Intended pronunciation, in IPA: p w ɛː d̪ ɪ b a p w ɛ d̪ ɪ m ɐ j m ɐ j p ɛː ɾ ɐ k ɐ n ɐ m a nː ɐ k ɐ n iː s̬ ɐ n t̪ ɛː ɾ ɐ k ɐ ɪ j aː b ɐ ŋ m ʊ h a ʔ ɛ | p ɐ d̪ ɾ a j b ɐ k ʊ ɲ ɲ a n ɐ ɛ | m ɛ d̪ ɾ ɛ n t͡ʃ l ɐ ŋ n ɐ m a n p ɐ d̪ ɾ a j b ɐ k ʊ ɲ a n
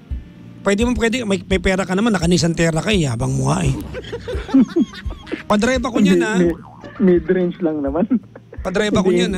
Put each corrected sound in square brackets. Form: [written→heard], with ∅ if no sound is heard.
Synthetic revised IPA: p w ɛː d̪ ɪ [b→m] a p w ɛ d̪ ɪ m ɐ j m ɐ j p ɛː ɾ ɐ k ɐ n ɐ m a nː ɐ k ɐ n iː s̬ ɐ n t̪ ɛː ɾ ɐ k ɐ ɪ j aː b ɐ ŋ m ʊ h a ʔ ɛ | p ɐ d̪ ɾ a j b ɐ k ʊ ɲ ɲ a n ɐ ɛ | m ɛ d̪ ɾ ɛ n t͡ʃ l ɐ ŋ n ɐ m a n p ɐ d̪ ɾ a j b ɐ k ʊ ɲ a n

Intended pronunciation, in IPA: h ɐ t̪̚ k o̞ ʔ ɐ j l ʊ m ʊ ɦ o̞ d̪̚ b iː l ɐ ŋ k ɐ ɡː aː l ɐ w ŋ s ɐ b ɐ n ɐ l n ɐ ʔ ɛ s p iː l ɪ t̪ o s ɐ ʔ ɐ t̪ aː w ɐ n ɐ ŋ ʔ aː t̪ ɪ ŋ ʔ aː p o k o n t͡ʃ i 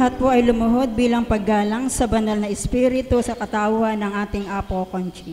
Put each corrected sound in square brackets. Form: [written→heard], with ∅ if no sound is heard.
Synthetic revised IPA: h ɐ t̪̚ [k→p] o̞ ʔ ɐ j l ʊ m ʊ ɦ o̞ d̪̚ b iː l ɐ ŋ [k→p] ɐ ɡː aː l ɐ [w→∅] ŋ s ɐ b ɐ n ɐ l n ɐ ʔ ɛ s p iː [l→ɾ] ɪ t̪ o s ɐ [ʔ→k] ɐ t̪ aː w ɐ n ɐ ŋ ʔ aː t̪ ɪ ŋ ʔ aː p o k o n t͡ʃ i

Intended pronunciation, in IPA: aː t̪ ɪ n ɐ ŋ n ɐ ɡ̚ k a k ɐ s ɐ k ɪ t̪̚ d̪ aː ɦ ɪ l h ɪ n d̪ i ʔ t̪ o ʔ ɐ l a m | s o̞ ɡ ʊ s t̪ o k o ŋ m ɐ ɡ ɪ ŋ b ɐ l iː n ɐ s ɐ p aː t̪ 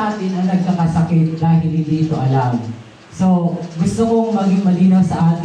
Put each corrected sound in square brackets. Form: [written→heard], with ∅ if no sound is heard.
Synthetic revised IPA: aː t̪ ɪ n ɐ ŋ n ɐ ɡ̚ k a k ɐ s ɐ k ɪ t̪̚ d̪ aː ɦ ɪ l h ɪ n d̪ i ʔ t̪ o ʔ ɐ l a m | s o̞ ɡ ʊ s t̪ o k o ŋ m ɐ ɡ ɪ ŋ [b→m] ɐ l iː n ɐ s ɐ [p→ʔ] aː t̪

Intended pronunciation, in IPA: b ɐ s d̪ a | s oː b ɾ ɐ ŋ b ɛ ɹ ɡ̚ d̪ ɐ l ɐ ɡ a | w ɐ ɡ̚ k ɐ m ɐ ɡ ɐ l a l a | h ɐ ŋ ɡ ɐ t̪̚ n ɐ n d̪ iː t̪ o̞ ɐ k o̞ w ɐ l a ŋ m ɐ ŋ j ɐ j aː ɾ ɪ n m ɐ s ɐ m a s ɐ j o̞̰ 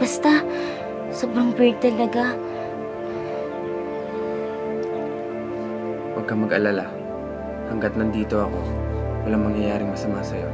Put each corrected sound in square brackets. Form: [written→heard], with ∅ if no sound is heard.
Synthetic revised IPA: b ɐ s [d̪→t̪] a | s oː b ɾ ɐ ŋ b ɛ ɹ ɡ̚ [d̪→t̪] ɐ l ɐ ɡ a | w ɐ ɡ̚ k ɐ m ɐ ɡ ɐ l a l a | h ɐ ŋ ɡ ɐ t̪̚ n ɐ n d̪ iː t̪ o̞ ɐ k o̞ w ɐ l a ŋ m ɐ ŋ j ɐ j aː ɾ ɪ [n→ŋ] m ɐ s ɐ m a s ɐ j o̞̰

